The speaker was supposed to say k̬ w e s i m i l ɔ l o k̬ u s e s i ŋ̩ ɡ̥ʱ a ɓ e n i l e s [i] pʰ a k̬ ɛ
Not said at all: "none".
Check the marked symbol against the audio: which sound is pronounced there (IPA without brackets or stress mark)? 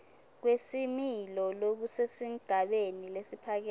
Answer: i